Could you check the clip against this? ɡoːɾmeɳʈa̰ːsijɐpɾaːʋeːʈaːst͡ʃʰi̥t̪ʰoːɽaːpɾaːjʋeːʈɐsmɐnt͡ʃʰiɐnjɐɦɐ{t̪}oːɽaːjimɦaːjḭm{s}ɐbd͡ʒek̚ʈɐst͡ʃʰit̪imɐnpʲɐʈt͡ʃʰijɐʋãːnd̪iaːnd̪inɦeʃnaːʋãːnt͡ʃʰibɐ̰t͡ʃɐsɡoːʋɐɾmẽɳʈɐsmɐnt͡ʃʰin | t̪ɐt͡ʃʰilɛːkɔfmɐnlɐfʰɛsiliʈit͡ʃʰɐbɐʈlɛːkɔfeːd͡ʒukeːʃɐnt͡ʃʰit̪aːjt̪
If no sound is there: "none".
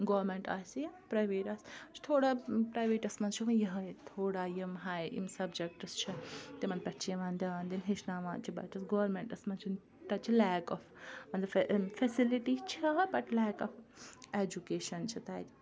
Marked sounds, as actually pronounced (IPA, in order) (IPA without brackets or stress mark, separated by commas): t̪ʰ, s